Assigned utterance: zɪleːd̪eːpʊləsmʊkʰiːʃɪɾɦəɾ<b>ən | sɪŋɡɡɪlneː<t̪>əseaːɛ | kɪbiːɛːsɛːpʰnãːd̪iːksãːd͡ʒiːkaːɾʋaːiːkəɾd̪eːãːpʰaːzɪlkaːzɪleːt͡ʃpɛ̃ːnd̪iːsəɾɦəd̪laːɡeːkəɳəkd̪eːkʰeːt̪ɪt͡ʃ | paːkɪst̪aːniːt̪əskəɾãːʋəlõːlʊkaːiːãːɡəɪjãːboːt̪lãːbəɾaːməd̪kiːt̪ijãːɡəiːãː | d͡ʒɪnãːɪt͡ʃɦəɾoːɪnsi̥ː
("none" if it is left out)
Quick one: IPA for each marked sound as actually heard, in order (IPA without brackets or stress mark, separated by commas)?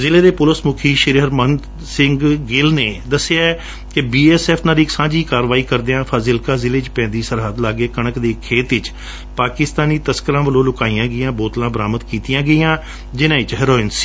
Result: m, d̪